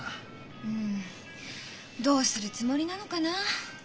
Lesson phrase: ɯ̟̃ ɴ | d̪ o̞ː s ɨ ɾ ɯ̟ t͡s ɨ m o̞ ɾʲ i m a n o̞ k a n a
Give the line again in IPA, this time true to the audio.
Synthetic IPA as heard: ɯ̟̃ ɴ | d̪ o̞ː s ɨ ɾ ɯ̟ t͡s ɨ m o̞ ɾʲ i n a n o̞ k a n a